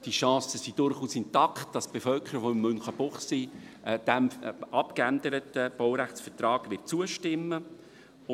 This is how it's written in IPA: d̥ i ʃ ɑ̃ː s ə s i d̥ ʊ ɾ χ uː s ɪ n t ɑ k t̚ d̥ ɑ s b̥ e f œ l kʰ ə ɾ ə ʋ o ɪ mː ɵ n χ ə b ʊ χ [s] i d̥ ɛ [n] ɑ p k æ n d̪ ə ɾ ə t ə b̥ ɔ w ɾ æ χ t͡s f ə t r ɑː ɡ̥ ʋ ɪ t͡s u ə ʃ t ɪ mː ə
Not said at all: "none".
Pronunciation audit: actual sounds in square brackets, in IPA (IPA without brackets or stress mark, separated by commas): s, m